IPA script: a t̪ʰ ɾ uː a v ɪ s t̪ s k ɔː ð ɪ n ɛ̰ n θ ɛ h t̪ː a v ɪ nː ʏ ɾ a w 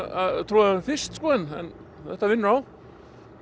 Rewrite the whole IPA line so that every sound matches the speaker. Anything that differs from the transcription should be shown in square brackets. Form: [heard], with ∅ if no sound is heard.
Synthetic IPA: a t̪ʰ ɾ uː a [f] ɪ s t̪ s k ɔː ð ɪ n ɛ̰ n θ ɛ h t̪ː a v ɪ nː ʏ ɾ a w